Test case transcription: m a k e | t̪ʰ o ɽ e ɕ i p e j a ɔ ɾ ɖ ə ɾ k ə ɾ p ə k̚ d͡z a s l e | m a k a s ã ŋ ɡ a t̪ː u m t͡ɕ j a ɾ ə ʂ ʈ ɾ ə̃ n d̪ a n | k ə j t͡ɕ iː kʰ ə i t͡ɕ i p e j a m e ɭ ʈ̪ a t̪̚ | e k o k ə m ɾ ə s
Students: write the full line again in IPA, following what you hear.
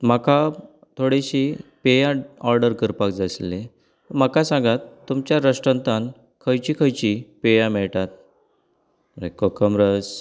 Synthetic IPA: m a k a | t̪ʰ o ɽ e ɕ i p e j a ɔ ɾ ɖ ə ɾ k ə ɾ p a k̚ d͡z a s l e | m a k a s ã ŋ ɡ a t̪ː u m t͡ɕ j a ɾ ə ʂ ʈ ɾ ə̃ n t̪ a n | kʰ ə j t͡ɕ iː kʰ ə j t͡ɕ i p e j a m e ɭ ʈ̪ a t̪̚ | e k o k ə m ɾ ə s